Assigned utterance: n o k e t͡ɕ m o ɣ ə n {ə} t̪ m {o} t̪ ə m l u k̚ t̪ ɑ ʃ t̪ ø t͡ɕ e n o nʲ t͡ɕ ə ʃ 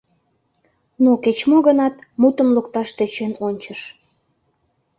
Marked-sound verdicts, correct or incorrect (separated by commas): incorrect, incorrect